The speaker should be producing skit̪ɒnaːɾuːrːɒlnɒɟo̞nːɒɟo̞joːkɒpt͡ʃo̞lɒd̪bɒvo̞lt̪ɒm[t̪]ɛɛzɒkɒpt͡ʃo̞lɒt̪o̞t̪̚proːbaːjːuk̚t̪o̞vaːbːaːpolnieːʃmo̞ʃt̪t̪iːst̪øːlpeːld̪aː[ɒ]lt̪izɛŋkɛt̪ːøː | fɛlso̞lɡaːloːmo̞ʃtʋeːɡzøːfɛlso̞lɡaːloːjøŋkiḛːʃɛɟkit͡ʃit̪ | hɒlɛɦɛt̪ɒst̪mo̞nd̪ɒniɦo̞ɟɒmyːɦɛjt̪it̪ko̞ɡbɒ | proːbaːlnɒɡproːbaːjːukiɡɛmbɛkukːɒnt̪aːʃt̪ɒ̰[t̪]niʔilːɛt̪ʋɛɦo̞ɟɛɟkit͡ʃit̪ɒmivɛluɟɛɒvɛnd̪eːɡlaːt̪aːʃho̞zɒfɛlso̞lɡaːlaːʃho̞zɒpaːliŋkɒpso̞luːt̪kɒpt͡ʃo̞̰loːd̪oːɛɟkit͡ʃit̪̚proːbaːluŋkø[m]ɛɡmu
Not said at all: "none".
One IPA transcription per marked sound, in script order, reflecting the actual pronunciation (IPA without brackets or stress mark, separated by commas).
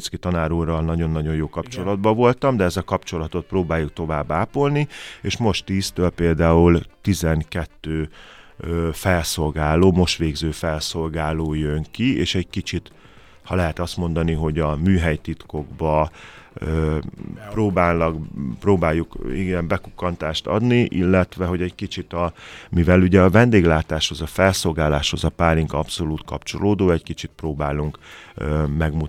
d̪, u, d̪, m